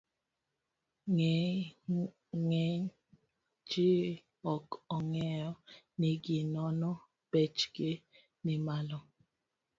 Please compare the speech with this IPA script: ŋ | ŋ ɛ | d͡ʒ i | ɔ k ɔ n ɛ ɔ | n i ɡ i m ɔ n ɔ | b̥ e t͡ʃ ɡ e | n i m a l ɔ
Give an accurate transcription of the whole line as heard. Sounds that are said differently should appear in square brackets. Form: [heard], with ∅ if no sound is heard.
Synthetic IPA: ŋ | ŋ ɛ | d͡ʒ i | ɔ k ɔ [ŋ] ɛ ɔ | n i ɡ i [n] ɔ n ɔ | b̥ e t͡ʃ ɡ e | n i m a l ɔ